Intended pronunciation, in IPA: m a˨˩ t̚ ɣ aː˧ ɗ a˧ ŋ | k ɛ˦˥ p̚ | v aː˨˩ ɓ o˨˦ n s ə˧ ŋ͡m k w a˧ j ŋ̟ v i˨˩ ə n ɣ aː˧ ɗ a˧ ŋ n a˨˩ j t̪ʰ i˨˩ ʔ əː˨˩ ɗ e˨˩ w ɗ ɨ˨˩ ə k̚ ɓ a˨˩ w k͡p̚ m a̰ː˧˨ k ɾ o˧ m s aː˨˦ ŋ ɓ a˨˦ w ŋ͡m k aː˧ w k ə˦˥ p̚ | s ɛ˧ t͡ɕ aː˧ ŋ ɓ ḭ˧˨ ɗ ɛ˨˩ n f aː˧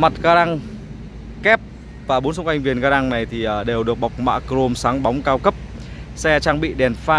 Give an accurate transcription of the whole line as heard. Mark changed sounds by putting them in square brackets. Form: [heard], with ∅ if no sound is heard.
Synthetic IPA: m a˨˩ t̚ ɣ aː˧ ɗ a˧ ŋ | k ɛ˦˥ p̚ | v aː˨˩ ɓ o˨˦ n s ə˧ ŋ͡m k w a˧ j ŋ̟ v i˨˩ ə n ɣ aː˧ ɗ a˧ ŋ n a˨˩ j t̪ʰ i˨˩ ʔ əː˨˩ ɗ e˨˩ w ɗ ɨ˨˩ ə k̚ ɓ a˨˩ w k͡p̚ m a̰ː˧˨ k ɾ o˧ m s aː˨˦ ŋ ɓ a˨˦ w ŋ͡m k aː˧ w k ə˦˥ p̚ | s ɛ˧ t͡ɕ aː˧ ŋ ɓ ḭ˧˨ ɗ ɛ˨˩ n f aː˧